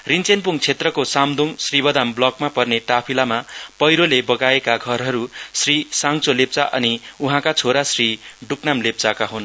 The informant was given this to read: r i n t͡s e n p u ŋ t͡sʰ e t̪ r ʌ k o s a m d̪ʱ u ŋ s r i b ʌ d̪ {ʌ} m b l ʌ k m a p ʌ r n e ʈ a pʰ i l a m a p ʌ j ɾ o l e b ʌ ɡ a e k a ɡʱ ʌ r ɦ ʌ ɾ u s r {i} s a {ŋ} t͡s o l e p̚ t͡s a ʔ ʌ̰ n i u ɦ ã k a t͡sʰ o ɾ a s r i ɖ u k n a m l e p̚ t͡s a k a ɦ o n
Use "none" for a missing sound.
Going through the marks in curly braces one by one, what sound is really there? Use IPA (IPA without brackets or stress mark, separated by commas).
a, i, ŋ